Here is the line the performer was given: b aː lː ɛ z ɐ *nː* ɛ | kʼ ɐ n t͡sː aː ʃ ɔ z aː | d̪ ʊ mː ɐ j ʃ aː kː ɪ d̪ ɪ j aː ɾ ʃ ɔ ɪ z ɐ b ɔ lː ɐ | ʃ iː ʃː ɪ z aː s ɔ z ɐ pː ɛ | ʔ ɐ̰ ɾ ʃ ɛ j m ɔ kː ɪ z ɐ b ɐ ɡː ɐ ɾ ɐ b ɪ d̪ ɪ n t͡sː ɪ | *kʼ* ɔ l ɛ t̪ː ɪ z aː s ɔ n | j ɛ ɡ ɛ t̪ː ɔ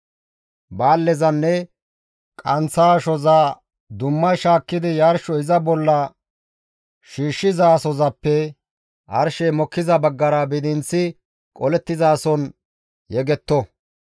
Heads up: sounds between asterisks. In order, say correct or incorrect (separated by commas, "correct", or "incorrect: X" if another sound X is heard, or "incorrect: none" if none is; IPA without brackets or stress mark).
correct, correct